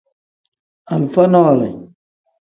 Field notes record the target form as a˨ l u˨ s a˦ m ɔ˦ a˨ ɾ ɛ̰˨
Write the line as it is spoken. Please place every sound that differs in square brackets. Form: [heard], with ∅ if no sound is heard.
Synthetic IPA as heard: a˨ l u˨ [f] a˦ [n] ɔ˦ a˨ [l] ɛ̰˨